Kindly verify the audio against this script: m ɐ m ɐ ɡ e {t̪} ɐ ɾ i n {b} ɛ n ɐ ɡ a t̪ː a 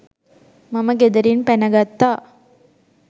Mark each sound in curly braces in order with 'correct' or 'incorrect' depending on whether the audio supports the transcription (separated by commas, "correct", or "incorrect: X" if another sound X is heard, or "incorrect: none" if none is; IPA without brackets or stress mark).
incorrect: d̪, incorrect: p